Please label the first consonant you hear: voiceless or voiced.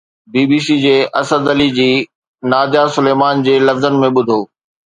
voiced